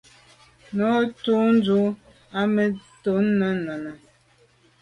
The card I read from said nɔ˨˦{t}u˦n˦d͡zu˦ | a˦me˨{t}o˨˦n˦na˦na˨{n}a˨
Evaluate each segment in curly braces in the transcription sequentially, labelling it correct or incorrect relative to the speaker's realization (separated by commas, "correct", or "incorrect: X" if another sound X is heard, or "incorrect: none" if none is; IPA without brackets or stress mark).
correct, correct, correct